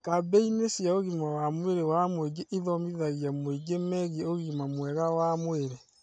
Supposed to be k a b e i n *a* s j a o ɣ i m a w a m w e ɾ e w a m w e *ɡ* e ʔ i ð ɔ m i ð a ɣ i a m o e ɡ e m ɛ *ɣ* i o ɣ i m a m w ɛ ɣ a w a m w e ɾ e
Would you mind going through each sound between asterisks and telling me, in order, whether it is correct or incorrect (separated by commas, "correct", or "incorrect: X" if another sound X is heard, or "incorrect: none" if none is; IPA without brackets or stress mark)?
incorrect: e, correct, correct